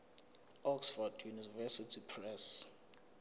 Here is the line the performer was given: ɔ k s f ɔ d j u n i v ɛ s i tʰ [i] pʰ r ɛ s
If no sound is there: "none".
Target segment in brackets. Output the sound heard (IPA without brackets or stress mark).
i